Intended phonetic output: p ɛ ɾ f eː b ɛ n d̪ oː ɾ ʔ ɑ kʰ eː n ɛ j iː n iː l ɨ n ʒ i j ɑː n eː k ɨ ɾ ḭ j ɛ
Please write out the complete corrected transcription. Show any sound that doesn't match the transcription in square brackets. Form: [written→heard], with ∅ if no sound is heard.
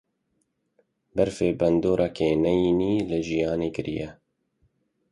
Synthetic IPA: [p→b] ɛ ɾ f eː b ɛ n d̪ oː ɾ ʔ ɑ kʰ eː n ɛ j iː n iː l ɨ [n→∅] ʒ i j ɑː n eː k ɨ ɾ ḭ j ɛ